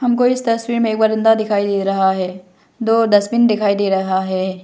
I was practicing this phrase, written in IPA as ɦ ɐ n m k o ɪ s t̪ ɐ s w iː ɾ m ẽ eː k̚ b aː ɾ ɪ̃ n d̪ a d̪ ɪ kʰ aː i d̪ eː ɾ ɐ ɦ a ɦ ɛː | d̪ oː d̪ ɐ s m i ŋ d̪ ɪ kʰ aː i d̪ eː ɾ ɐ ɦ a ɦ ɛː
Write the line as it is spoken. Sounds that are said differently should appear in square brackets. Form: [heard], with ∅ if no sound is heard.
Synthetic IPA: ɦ ɐ [∅] m k o ɪ s t̪ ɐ s w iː ɾ m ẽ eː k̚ b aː ɾ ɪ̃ n d̪ a d̪ ɪ kʰ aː i d̪ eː ɾ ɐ ɦ a ɦ ɛː | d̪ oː d̪ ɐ s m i [n] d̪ ɪ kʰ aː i d̪ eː ɾ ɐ ɦ a ɦ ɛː